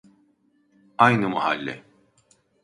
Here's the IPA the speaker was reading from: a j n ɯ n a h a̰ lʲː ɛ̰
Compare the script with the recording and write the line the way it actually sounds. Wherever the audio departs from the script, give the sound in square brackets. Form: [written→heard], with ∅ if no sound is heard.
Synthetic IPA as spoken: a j n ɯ [n→m] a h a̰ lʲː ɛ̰